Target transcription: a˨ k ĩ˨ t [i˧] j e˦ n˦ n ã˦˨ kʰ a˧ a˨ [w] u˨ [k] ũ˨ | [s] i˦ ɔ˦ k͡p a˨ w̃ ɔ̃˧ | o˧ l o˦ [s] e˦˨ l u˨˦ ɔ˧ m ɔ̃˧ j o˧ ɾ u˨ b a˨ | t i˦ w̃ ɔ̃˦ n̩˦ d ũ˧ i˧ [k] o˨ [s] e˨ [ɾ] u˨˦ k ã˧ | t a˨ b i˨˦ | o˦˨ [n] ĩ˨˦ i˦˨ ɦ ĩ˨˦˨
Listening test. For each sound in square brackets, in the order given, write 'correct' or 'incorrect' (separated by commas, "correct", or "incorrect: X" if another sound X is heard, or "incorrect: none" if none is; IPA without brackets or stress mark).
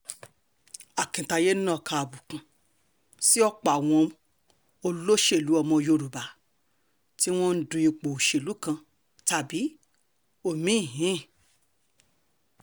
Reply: incorrect: a˧, incorrect: b, correct, correct, incorrect: ʃ, incorrect: k͡p, incorrect: ʃ, incorrect: l, incorrect: m